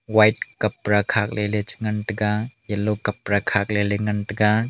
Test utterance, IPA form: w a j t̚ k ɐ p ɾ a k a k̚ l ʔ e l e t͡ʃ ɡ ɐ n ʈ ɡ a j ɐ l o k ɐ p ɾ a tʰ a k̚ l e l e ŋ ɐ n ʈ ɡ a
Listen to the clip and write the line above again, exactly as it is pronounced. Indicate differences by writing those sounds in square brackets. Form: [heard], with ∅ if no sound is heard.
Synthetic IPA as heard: w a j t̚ k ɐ p ɾ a [kʰ] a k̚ l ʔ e l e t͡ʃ [ŋ] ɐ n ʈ ɡ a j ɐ l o k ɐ p ɾ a [kʰ] a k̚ l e l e ŋ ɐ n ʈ ɡ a